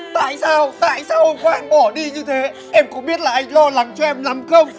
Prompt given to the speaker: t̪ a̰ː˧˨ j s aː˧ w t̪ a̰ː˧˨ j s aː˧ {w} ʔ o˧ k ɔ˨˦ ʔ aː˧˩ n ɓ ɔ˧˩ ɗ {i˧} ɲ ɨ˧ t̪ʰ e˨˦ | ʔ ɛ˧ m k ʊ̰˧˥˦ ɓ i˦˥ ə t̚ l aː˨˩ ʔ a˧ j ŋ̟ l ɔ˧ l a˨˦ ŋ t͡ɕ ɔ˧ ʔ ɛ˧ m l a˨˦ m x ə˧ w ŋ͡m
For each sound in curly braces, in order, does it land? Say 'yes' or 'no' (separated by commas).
yes, yes